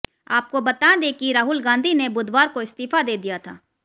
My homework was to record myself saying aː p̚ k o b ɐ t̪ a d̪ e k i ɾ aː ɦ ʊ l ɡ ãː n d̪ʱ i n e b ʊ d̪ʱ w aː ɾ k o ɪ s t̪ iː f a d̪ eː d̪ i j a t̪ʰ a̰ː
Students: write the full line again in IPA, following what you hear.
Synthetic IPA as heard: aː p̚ k o b ɐ t̪ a d̪ e k i ɾ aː ɦ ʊ l ɡ ãː n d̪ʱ i n e b ʊ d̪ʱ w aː ɾ k o ɪ s t̪ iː f a d̪ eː d̪ i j a t̪ʰ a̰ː